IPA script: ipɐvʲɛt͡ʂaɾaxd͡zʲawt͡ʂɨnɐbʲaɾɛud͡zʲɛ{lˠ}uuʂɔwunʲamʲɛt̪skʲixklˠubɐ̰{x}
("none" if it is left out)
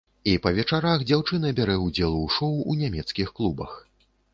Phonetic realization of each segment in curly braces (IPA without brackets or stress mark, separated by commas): lˠ, x